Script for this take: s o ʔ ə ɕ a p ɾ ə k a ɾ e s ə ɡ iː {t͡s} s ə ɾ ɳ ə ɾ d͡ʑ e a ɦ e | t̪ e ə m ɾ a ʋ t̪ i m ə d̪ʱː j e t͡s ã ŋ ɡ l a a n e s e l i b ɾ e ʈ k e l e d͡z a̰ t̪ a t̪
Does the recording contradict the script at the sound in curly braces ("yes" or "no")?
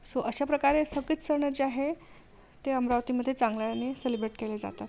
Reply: no